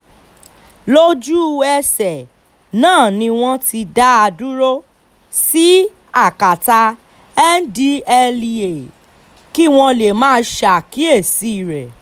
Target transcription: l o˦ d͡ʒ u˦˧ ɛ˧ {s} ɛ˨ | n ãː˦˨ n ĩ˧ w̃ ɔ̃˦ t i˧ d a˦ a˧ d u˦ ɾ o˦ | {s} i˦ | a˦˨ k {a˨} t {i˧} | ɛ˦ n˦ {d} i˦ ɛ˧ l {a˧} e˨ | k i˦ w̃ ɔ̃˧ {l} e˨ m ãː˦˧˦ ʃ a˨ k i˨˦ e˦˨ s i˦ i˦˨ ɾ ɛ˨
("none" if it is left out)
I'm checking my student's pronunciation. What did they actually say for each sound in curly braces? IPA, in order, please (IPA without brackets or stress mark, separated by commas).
s, s, a˨, a˧, d, i˧, l